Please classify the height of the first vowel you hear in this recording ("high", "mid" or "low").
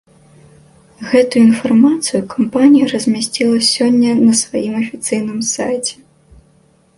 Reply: mid